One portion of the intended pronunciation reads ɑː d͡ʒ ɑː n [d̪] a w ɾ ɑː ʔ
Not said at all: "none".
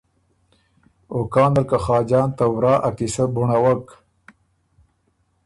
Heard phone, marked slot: t̪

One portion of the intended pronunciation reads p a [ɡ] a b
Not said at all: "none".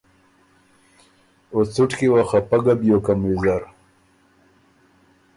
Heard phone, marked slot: ɡ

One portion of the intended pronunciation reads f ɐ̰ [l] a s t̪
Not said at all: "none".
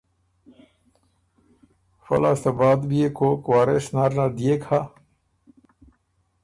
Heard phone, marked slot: l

